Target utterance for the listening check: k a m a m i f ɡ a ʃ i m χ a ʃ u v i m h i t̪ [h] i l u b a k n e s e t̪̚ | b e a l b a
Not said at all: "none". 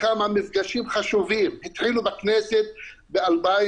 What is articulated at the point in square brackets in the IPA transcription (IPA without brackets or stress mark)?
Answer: ħ